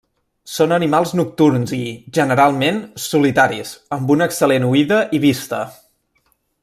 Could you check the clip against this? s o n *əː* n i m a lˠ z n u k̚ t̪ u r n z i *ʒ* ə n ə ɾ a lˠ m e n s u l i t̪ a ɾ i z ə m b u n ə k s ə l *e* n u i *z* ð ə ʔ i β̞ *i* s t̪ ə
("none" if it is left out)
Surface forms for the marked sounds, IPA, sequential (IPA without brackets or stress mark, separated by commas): ə, ʒ, e, none, i